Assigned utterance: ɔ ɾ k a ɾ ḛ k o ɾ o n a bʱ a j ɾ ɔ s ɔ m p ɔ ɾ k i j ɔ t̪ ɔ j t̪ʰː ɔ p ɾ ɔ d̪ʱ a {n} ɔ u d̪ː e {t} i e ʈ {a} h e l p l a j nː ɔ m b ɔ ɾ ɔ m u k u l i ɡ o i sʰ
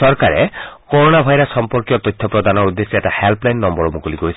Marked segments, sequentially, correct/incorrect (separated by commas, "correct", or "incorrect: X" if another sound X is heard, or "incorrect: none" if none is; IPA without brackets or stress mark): correct, incorrect: s, correct